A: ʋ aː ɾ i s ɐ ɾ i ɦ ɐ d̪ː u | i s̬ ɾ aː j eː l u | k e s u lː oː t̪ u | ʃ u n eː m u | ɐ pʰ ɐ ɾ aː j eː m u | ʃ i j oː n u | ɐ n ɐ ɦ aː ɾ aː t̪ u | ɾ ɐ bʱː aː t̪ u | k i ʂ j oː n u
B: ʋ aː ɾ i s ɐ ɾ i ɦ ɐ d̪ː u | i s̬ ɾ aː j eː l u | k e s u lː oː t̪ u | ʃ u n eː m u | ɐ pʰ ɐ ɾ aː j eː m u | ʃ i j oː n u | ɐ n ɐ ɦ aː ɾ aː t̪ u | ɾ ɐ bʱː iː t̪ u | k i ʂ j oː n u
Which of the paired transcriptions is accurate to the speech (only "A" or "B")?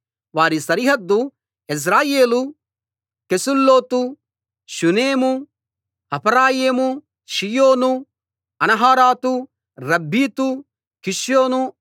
B